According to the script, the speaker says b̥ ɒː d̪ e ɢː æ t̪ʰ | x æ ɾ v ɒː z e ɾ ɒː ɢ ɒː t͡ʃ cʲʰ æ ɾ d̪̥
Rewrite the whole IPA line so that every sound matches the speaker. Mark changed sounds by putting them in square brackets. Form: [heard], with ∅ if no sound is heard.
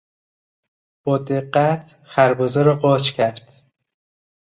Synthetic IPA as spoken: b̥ ɒː d̪ e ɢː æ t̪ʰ | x æ ɾ [b] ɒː z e ɾ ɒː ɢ ɒː t͡ʃ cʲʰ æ ɾ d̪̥